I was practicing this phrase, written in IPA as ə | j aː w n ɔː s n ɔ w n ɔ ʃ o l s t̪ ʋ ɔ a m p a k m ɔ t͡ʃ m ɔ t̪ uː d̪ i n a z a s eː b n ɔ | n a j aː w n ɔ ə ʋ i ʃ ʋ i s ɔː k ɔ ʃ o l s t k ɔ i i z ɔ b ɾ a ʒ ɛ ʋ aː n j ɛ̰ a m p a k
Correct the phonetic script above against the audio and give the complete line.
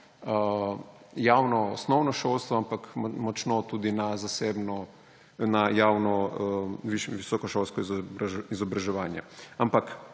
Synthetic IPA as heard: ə | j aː w n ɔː s n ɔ w n ɔ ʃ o l s t̪ ʋ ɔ a m p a k m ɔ t͡ʃ n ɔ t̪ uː d̪ i n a z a s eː b n ɔ | n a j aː w n ɔ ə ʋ i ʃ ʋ i s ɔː k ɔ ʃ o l s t k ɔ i i z ɔ b ɾ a ʒ ɛ ʋ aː n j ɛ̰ a m p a k